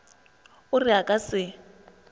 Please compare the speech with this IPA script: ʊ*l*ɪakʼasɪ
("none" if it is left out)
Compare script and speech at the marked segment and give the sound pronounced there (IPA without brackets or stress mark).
r